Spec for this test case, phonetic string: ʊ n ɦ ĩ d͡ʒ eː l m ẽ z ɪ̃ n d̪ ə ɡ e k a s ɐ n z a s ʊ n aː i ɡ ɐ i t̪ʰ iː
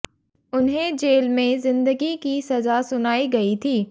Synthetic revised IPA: ʊ n ɦ ẽ d͡ʒ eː l m ẽ z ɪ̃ n d̪ ə ɡ i k i s ɐ z a s ʊ n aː i ɡ ɐ i t̪ʰ iː